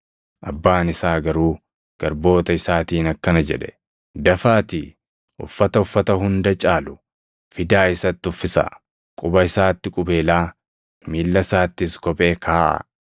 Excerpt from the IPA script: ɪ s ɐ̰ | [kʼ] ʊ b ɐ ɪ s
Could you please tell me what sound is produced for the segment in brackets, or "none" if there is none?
kʼ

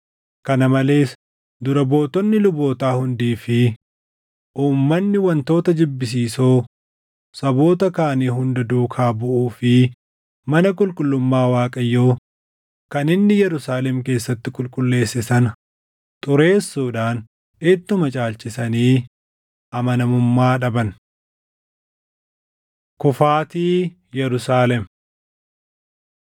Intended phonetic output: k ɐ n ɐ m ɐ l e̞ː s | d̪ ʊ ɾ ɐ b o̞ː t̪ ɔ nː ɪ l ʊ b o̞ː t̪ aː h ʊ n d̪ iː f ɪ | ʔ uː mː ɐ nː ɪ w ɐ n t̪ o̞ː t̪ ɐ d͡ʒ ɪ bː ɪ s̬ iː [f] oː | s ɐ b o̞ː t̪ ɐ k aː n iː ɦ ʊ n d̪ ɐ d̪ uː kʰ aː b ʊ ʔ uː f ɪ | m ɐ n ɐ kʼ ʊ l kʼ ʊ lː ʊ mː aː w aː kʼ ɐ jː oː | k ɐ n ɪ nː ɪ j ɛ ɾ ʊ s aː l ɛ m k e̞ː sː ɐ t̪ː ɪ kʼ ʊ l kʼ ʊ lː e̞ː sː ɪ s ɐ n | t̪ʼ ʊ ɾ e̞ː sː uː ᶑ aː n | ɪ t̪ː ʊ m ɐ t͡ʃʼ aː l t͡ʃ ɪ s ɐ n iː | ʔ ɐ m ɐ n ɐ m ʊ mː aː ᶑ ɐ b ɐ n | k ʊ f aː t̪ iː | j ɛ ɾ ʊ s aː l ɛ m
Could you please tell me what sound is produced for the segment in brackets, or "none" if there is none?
s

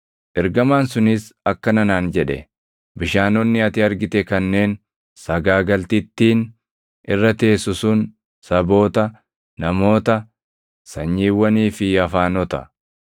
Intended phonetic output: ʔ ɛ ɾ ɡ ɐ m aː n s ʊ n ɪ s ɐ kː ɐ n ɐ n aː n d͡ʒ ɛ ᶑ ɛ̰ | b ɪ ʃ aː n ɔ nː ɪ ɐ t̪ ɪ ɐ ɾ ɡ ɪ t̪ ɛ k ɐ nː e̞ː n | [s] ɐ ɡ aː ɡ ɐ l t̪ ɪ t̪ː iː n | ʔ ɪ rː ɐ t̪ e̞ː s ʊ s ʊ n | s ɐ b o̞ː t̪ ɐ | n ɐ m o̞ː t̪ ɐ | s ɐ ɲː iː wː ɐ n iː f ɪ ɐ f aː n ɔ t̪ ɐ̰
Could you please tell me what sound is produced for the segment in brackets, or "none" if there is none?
s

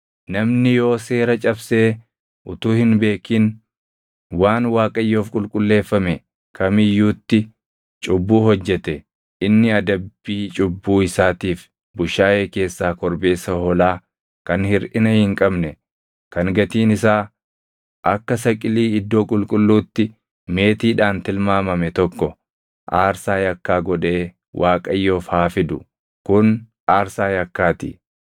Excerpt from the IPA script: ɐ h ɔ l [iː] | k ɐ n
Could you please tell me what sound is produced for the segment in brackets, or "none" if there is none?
aː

